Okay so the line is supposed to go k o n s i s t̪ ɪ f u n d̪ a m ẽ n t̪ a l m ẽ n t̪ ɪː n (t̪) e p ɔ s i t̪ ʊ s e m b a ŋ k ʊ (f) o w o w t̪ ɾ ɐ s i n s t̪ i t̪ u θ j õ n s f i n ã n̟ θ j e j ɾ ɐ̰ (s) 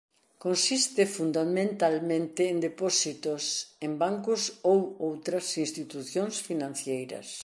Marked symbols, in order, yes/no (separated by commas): no, no, yes